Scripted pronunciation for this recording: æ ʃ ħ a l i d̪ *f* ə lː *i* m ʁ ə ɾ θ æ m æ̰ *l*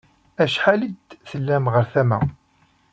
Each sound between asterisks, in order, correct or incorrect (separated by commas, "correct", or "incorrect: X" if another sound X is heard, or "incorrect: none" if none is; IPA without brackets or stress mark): incorrect: θ, incorrect: æ, incorrect: none